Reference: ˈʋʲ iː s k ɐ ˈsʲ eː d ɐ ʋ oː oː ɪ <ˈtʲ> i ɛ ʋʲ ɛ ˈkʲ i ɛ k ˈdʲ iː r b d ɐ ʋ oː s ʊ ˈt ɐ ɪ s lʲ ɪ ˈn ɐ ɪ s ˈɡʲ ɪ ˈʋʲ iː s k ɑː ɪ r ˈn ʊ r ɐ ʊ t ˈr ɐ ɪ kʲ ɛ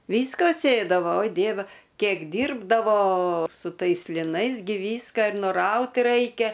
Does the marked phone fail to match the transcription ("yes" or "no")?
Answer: yes